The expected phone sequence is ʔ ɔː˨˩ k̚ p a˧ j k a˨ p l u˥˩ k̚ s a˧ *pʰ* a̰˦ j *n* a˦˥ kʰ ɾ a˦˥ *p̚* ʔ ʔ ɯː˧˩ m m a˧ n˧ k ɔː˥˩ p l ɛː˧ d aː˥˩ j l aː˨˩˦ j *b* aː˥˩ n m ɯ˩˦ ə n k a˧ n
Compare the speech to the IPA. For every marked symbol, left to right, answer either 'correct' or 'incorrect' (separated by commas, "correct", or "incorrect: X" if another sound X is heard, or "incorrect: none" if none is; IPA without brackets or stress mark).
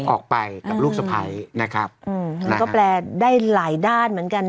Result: correct, correct, correct, incorrect: d